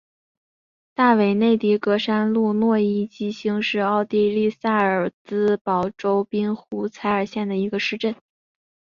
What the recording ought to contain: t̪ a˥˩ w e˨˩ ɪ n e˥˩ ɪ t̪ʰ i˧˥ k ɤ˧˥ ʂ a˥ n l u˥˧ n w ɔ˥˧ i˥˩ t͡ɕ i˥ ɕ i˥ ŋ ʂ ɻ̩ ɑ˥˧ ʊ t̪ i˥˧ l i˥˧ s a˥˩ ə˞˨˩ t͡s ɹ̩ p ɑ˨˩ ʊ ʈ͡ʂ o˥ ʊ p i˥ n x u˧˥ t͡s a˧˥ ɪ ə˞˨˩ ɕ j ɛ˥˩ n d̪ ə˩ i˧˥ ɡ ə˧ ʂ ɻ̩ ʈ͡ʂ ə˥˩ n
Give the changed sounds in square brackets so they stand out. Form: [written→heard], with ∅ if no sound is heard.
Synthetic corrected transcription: t̪ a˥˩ w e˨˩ ɪ n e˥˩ ɪ [t̪ʰ→t̪] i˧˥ k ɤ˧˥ ʂ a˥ n l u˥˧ n w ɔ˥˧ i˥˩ t͡ɕ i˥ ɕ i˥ ŋ ʂ ɻ̩ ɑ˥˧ ʊ t̪ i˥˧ l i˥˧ s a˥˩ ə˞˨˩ t͡s ɹ̩ p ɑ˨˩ ʊ ʈ͡ʂ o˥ ʊ p i˥ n x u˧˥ [t͡s→t͡sʰ] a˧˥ ɪ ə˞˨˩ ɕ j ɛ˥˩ n d̪ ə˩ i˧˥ ɡ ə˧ ʂ ɻ̩ ʈ͡ʂ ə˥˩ n

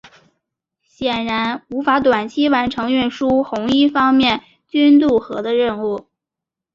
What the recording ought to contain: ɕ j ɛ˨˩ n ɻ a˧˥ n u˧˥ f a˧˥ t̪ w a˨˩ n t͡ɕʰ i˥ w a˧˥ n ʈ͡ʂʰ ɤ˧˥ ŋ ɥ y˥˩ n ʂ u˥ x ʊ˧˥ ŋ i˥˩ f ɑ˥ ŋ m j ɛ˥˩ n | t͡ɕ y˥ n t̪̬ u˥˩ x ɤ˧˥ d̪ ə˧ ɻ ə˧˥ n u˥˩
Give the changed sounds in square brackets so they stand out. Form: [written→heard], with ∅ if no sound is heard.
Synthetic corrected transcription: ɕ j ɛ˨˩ n ɻ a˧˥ n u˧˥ f a˧˥ t̪ w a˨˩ n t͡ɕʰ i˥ w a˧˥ n ʈ͡ʂʰ ɤ˧˥ ŋ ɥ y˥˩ n ʂ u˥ x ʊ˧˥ ŋ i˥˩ f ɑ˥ ŋ m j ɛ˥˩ n | t͡ɕ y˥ n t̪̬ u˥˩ x ɤ˧˥ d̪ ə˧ ɻ [ə˧˥→ə˥˧] n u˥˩

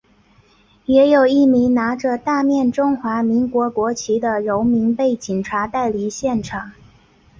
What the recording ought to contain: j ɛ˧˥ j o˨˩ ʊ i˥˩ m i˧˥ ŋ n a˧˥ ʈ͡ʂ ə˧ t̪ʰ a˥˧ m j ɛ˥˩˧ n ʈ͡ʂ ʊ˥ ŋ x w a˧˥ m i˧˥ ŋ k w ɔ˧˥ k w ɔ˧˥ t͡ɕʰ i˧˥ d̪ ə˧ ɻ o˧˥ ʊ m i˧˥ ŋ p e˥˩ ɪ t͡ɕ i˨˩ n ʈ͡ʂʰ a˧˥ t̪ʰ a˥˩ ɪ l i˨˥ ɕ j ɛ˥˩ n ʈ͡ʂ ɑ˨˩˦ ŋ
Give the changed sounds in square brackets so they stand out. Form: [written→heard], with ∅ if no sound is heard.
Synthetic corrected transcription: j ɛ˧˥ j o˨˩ ʊ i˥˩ m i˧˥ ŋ n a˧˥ ʈ͡ʂ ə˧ [t̪ʰ→t̪] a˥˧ m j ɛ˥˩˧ n ʈ͡ʂ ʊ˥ ŋ x w a˧˥ m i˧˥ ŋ k w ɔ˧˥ k w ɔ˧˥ t͡ɕʰ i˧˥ d̪ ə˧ ɻ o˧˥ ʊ m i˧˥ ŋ p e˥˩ ɪ t͡ɕ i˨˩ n ʈ͡ʂʰ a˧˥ [t̪ʰ→t̪] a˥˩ ɪ l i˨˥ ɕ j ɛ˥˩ n [ʈ͡ʂ→ʈ͡ʂʰ] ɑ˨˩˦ ŋ

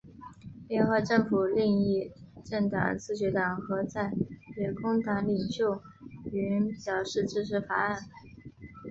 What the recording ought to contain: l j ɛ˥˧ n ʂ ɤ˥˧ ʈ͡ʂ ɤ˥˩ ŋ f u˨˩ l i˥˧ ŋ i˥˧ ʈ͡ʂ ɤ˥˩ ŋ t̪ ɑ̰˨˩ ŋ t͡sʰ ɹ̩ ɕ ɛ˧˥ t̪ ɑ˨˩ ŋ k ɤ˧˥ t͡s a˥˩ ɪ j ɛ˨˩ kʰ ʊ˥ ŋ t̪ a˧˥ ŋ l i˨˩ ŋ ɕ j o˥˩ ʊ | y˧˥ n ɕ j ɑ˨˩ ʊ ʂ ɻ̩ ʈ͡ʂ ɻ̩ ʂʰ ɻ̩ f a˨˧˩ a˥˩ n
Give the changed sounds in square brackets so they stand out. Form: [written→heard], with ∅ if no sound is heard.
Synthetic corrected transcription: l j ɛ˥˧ n [ʂ→x] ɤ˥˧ ʈ͡ʂ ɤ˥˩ ŋ f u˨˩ l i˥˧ ŋ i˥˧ ʈ͡ʂ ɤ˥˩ ŋ t̪ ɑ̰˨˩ ŋ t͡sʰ ɹ̩ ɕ ɛ˧˥ t̪ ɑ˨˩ ŋ [k→x] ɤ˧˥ t͡s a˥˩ ɪ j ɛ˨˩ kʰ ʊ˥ ŋ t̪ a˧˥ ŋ l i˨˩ ŋ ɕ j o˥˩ ʊ | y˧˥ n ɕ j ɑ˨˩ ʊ ʂ ɻ̩ ʈ͡ʂ ɻ̩ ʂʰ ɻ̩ f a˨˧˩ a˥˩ n

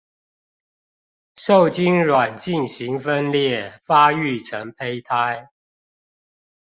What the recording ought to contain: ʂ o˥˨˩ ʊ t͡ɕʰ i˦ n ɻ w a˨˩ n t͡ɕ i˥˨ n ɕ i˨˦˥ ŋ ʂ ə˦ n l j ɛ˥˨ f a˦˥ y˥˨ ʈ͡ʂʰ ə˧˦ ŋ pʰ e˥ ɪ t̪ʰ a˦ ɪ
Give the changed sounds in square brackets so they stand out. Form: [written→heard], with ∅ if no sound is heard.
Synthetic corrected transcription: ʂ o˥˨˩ ʊ [t͡ɕʰ→t͡ɕ] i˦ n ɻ w a˨˩ n t͡ɕ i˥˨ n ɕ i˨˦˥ ŋ [ʂ→f] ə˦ n l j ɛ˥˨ f a˦˥ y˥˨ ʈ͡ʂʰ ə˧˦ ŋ pʰ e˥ ɪ t̪ʰ a˦ ɪ

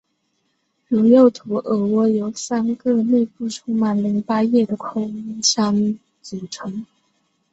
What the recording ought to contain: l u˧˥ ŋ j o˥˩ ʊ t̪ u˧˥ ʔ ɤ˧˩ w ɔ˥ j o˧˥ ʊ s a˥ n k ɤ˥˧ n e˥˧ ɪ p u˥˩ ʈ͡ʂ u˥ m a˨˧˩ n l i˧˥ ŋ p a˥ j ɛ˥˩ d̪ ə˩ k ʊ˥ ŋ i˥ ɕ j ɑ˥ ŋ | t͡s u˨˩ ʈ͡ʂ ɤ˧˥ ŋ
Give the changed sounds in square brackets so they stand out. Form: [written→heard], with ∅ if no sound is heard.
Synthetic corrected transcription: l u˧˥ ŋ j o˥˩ ʊ [t̪→t̪ʰ] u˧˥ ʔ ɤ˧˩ w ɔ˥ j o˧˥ ʊ s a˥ n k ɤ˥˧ n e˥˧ ɪ p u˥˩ [ʈ͡ʂ→ʈ͡ʂʰ] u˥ m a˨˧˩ n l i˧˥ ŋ p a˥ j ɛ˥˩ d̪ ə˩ [k→kʰ] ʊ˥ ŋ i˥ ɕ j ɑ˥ ŋ | t͡s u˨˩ [ʈ͡ʂ→ʈ͡ʂʰ] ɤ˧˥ ŋ

